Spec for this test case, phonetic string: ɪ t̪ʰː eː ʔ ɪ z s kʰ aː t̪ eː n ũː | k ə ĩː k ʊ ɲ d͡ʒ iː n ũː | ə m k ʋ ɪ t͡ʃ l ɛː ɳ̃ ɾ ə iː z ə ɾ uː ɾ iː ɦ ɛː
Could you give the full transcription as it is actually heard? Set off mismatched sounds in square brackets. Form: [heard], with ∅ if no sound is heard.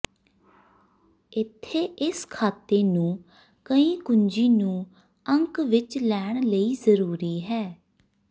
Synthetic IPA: ɪ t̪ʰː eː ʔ ɪ [∅] s kʰ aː t̪ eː n ũː | k ə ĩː k ʊ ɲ d͡ʒ iː n ũː | ə [ŋ] k ʋ ɪ t͡ʃ l ɛː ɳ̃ [l] ə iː z ə ɾ uː ɾ iː ɦ ɛː

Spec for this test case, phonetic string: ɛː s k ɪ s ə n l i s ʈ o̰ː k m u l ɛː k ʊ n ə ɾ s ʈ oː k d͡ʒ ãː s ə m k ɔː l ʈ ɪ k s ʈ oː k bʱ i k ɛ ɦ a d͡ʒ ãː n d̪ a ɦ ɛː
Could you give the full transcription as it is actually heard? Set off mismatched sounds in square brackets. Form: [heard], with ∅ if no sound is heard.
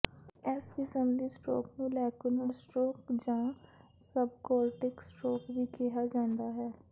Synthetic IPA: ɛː s k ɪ s ə [m] l i s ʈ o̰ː k m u l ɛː k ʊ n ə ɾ s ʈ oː k d͡ʒ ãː s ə [b] k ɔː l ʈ ɪ k s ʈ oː k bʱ i k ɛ ɦ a d͡ʒ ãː n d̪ a ɦ ɛː

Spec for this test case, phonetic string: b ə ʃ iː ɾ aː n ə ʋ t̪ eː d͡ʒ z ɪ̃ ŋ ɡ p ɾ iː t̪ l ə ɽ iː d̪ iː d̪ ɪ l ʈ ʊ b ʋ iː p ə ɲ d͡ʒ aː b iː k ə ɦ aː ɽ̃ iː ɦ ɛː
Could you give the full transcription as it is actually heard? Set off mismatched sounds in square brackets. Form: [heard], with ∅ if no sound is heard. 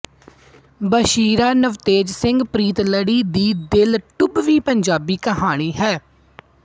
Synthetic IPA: b ə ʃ iː ɾ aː n ə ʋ t̪ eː d͡ʒ [s] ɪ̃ ŋ ɡ p ɾ iː t̪ l ə ɽ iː d̪ iː d̪ ɪ l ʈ ʊ b ʋ iː p ə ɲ d͡ʒ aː b iː k ə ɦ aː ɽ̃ iː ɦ ɛː

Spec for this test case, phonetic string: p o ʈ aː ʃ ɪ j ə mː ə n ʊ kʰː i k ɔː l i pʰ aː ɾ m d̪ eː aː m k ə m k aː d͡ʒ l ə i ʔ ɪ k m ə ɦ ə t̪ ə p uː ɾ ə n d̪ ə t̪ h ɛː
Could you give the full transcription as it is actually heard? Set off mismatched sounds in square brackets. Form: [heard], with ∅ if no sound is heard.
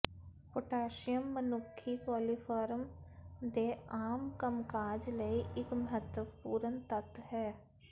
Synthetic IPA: p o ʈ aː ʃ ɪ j ə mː ə n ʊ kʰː i k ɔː l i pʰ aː ɾ m d̪ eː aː m k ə m k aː d͡ʒ l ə i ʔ ɪ k m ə ɦ ə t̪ ə p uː ɾ ə n [t̪] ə t̪ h ɛː

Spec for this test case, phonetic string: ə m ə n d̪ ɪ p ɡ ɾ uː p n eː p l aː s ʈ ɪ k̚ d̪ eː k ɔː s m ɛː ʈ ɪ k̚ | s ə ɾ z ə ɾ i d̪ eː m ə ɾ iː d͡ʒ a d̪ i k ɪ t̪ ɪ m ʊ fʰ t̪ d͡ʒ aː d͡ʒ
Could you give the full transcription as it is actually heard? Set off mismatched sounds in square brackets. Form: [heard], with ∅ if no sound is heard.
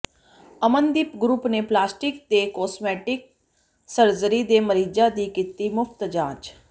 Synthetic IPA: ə m ə n d̪ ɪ p ɡ ɾ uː p n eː p l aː s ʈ ɪ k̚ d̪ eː k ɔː s m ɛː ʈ ɪ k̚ | s ə ɾ z ə ɾ i d̪ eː m ə ɾ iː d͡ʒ a d̪ i k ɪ t̪ [i] m ʊ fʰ t̪ d͡ʒ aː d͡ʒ

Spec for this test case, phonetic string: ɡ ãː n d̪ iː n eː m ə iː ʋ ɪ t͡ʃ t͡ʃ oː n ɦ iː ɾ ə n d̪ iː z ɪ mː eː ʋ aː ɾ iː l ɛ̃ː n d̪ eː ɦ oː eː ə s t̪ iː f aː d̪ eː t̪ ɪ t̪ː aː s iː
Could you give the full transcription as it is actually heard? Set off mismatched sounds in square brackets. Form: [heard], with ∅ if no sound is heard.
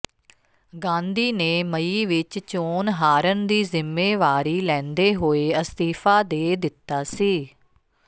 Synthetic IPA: ɡ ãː n d̪ iː n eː m ə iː ʋ ɪ t͡ʃ t͡ʃ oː n ɦ [aː] ɾ ə n d̪ iː z ɪ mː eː ʋ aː ɾ iː l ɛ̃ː n d̪ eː ɦ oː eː ə s t̪ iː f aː d̪ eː [d̪] ɪ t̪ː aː s iː

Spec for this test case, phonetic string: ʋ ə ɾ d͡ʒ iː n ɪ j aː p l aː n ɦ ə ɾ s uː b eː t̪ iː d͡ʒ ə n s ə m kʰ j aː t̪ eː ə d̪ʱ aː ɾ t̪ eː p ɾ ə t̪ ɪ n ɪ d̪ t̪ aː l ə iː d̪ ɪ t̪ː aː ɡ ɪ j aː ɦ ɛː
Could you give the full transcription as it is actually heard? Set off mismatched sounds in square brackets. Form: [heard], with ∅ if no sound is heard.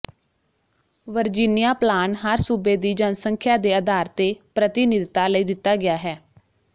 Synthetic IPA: ʋ ə ɾ d͡ʒ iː n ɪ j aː p l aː n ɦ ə ɾ s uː b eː [d̪] iː d͡ʒ ə n s ə [ŋ] kʰ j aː [d̪] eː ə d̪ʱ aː ɾ t̪ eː p ɾ ə t̪ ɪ n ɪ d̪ t̪ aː l ə iː d̪ ɪ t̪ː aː ɡ ɪ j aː ɦ ɛː

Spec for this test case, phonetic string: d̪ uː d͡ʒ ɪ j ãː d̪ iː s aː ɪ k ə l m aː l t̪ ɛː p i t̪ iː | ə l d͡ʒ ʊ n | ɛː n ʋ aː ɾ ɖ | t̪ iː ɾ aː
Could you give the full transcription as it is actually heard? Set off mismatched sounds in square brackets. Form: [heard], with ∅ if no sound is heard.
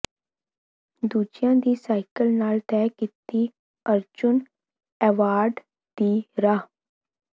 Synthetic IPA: d̪ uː d͡ʒ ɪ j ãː d̪ iː s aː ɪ k ə l [n] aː l t̪ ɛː [k] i t̪ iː | ə [ɾ] d͡ʒ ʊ n | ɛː [∅] ʋ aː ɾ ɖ | [d̪] iː ɾ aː

